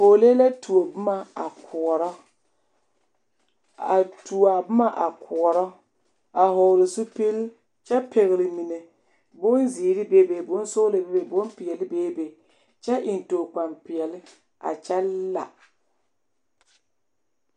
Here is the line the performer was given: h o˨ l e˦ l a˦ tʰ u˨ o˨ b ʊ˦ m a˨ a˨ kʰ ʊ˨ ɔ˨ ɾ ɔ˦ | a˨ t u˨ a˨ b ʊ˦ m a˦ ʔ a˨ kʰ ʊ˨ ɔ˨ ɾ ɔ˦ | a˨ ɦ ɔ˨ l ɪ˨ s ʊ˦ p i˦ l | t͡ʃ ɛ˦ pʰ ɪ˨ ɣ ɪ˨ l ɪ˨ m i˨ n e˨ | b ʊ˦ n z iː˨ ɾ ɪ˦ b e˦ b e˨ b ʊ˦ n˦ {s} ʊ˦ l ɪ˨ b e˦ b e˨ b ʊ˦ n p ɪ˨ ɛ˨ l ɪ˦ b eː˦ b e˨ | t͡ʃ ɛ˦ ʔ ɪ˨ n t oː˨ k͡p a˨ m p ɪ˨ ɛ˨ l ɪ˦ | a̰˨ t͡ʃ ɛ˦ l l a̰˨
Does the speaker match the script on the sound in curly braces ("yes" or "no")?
yes